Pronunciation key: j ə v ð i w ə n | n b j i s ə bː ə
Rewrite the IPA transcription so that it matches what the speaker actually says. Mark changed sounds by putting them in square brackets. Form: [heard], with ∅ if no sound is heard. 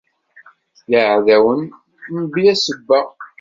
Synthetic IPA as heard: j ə [ʕ] ð [æ] w ə n | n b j [æ] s ə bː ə